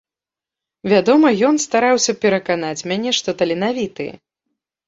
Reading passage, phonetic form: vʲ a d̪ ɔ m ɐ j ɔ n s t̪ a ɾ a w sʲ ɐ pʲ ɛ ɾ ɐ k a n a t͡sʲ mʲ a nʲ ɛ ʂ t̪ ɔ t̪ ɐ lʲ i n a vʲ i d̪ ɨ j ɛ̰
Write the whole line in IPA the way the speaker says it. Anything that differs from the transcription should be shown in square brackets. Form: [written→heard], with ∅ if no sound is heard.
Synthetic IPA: vʲ a d̪ ɔ m ɐ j ɔ n s t̪ a ɾ a w sʲ ɐ pʲ ɛ ɾ ɐ k a n a t͡sʲ mʲ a nʲ ɛ ʂ t̪ ɔ t̪ ɐ lʲ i n a vʲ i [d̪→t̪] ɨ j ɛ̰